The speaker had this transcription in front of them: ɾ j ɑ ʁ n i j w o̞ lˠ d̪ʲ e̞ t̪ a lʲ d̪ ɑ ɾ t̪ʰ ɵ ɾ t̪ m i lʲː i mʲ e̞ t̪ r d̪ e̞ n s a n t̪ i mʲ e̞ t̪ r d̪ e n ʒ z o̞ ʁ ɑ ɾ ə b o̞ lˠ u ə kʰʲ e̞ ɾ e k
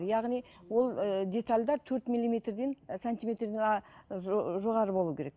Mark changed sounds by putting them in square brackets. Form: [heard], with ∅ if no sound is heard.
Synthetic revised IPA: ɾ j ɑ ʁ n i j w o̞ lˠ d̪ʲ e̞ t̪ a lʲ d̪ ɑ ɾ t̪ʰ ɵ ɾ t̪ m i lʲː i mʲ e̞ t̪ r d̪ e̞ n s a n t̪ i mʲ e̞ t̪ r d̪ e n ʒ [ʒ] o̞ ʁ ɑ ɾ ə b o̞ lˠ u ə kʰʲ e̞ ɾ e k